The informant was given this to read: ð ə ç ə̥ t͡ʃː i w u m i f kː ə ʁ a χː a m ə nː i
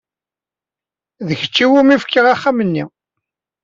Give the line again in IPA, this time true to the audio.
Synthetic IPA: ð ə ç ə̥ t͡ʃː i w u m i f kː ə ʁ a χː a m ə nː i

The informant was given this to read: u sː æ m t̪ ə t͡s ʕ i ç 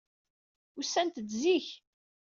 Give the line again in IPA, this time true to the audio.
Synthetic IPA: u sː æ n t̪ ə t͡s z i ç

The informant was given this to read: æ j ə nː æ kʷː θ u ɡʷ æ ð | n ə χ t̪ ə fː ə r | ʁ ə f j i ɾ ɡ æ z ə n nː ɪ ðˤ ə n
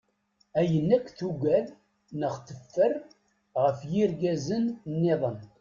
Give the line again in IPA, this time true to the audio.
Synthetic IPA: æ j ə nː æ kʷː θ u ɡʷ æ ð | n ə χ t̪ ə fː ə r | ʁ ə f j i ɾ ɡ æ z ə n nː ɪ ðˤ ə n

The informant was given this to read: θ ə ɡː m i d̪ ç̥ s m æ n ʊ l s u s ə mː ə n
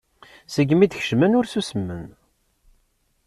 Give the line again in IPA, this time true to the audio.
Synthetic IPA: s ə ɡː m i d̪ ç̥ ʃ m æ n ʊ ɾ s u s ə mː ə n

